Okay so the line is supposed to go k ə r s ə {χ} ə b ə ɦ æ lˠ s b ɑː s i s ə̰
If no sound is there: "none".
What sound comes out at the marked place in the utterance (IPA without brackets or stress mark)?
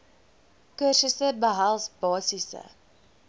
s